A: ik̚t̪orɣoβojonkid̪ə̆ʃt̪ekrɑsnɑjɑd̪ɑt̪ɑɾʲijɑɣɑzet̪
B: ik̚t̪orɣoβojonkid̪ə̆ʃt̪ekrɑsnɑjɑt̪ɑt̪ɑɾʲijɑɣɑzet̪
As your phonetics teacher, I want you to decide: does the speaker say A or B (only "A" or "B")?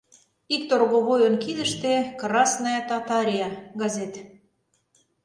B